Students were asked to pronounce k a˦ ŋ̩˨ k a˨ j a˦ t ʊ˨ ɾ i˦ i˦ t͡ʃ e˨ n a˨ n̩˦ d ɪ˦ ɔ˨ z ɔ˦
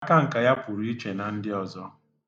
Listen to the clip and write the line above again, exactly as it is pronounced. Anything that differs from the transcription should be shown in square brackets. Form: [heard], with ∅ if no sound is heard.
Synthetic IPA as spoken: k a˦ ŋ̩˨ k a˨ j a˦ [p] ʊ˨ ɾ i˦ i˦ t͡ʃ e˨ n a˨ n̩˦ d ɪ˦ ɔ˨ z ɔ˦